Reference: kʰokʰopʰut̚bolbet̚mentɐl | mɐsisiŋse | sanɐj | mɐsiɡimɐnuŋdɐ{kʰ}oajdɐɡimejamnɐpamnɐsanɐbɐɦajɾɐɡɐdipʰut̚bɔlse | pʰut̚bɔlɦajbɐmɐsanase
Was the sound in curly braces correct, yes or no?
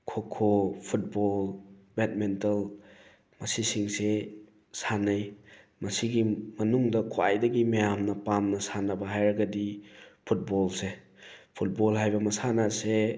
yes